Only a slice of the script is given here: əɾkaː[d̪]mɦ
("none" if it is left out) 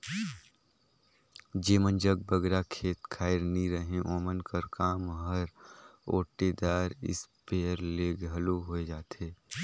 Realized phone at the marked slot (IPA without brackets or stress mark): none